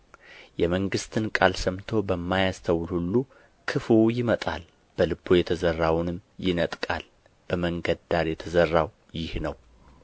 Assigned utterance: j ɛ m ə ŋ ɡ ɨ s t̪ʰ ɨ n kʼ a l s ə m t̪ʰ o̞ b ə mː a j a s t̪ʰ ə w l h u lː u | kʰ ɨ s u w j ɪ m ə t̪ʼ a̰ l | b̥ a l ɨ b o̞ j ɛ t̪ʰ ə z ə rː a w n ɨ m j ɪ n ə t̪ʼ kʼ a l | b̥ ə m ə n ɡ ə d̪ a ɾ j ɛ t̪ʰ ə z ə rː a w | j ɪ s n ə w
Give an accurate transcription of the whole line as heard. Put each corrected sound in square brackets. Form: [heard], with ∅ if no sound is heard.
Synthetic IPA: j ɛ m ə ŋ ɡ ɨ s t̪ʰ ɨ n kʼ a l s ə m t̪ʰ o̞ b ə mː a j a s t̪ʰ ə w l h u lː u | kʰ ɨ [f] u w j ɪ m ə t̪ʼ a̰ l | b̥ [ə] l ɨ b o̞ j ɛ t̪ʰ ə z ə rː a w n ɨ m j ɪ n ə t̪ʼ kʼ a l | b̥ ə m ə [ŋ] ɡ ə d̪ a ɾ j ɛ t̪ʰ ə z ə rː a w | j ɪ [h] n ə w